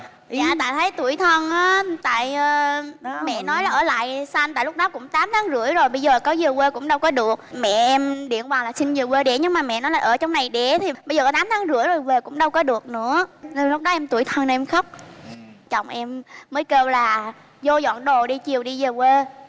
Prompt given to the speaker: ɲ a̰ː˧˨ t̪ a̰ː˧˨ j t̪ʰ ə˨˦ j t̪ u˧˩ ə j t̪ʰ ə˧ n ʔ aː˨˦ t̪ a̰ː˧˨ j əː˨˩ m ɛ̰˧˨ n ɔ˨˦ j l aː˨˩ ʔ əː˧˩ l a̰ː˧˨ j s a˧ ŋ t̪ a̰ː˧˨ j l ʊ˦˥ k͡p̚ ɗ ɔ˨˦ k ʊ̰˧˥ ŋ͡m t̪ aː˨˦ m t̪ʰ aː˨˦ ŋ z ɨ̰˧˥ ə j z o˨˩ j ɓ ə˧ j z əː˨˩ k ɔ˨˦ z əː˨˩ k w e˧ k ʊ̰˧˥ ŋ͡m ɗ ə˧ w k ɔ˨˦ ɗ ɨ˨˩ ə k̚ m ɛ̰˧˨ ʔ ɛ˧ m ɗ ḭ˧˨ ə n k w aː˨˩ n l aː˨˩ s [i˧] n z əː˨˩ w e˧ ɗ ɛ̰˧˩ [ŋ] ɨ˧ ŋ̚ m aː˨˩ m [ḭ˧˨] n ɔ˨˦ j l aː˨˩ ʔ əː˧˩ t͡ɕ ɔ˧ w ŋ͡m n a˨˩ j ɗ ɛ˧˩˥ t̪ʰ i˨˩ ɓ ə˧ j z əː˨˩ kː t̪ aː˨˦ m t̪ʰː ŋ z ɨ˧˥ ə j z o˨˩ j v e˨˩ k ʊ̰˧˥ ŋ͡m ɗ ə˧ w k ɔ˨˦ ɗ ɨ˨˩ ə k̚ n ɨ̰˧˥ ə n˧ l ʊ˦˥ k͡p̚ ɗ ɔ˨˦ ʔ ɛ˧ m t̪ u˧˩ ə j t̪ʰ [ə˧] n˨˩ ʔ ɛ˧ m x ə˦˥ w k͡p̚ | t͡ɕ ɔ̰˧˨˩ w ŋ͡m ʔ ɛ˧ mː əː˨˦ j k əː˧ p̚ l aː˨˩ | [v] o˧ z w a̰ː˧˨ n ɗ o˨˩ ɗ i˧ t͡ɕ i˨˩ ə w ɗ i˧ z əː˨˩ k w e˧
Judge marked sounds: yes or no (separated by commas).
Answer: yes, no, no, yes, no